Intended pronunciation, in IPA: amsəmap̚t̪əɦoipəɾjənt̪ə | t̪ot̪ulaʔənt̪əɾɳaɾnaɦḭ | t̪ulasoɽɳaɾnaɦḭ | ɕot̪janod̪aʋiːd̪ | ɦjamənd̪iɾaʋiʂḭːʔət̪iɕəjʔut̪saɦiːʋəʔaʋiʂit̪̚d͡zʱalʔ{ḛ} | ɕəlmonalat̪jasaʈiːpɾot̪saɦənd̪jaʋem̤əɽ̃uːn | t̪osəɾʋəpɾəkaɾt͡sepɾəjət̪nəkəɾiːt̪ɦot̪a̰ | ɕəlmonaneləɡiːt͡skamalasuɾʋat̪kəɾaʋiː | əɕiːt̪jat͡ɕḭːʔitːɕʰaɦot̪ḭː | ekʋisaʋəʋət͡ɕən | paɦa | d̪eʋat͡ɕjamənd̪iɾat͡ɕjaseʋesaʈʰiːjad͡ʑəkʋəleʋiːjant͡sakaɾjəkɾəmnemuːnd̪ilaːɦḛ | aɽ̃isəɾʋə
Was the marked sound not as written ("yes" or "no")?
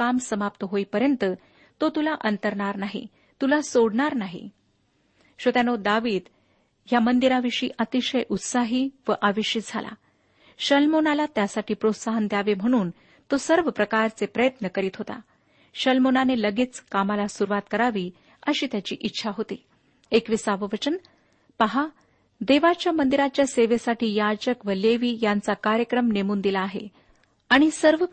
yes